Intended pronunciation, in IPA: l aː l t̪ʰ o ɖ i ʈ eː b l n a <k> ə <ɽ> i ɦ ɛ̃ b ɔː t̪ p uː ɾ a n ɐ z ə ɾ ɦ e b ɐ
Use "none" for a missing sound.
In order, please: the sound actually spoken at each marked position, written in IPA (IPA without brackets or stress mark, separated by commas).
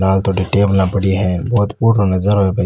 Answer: p, ɽ